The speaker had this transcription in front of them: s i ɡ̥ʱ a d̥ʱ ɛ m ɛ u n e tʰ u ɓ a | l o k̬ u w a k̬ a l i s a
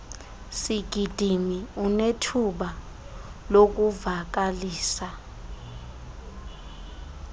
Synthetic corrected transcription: s i ɡ̥ʱ i d̥ʱ i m i u n e tʰ u ɓ a | l o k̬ u v a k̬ a l iː s a